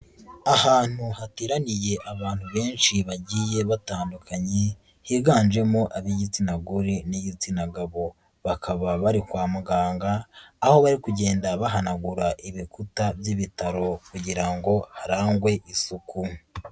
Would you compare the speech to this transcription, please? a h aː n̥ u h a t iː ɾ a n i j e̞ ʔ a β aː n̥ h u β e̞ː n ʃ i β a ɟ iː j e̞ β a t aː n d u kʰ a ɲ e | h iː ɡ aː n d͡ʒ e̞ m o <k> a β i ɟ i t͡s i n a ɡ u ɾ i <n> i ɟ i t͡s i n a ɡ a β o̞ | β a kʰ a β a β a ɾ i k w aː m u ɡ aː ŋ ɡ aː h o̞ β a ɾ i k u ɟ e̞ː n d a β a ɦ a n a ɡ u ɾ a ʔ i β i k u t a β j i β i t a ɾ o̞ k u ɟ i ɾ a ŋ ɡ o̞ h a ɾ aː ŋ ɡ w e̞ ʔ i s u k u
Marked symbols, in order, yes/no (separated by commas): no, yes